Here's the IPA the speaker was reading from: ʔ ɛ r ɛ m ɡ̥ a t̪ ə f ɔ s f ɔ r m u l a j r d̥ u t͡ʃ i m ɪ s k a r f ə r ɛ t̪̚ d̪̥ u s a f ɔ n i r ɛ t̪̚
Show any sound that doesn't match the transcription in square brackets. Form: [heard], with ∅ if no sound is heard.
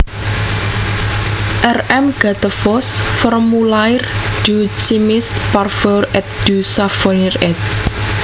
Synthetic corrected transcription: ʔ ɛ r ɛ m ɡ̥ a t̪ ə f ɔ s f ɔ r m u l a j r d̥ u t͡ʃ i m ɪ s [p] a r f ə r ɛ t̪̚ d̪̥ u s a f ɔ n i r ɛ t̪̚